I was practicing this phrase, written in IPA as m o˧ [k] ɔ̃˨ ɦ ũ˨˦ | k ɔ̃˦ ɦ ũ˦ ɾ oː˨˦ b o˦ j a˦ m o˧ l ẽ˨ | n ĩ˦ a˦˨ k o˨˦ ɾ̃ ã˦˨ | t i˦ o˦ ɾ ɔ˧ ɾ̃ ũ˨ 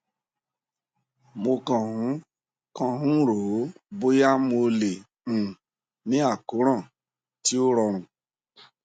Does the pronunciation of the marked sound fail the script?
no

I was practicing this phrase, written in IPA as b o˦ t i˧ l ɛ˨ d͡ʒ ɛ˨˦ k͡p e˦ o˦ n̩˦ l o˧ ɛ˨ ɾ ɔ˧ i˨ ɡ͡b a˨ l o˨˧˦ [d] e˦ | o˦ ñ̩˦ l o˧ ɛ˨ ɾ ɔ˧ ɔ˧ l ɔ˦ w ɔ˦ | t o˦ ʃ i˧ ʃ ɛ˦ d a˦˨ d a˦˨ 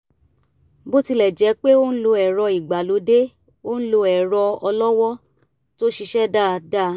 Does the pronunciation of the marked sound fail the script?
no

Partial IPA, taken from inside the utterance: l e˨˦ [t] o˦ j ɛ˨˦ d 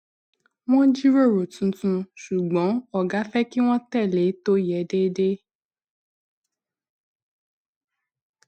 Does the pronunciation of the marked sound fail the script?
no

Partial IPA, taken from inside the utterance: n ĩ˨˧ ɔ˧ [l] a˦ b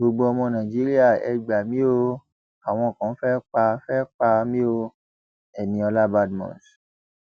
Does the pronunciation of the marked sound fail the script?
no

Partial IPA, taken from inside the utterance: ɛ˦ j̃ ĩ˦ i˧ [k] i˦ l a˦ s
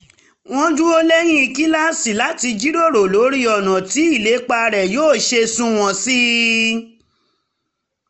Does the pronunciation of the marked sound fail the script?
no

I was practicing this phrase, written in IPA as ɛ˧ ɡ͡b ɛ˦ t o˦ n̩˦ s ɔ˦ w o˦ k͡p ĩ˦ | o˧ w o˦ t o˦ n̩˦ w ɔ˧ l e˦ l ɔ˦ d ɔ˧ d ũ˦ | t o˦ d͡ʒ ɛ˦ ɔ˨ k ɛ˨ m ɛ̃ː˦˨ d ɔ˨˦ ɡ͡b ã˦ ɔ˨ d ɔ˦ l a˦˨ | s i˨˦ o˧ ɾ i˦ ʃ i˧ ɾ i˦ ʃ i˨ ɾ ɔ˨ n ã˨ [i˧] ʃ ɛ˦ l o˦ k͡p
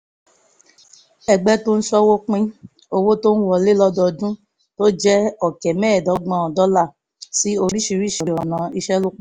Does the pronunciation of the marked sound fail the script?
no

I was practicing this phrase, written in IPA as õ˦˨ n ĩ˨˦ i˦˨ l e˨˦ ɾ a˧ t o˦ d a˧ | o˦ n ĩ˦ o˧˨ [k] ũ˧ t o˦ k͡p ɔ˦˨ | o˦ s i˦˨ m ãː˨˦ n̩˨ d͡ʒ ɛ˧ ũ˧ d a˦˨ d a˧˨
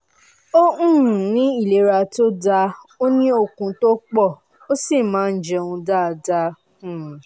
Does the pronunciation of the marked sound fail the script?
no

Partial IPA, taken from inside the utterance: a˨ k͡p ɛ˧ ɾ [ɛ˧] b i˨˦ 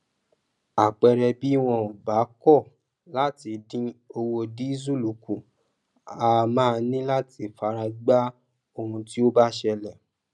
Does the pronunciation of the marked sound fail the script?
no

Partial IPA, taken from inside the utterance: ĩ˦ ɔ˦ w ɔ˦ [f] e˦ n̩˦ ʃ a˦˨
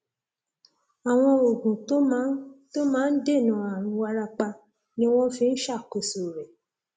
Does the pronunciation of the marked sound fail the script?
no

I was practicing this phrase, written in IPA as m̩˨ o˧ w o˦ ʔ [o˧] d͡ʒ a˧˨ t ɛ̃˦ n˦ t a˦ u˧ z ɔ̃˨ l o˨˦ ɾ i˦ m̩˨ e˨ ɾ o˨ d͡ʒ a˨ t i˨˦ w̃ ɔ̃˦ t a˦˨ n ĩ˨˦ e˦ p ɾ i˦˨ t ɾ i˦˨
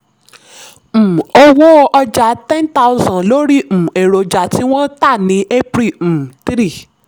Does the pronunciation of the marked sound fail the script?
yes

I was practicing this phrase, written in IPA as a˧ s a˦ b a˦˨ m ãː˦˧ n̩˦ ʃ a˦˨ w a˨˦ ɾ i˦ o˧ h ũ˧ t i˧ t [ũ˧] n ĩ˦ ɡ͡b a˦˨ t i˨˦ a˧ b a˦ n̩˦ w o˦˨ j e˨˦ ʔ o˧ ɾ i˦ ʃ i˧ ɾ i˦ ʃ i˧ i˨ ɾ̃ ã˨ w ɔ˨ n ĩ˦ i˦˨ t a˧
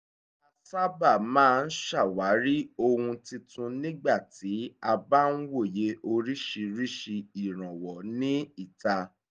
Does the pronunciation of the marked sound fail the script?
no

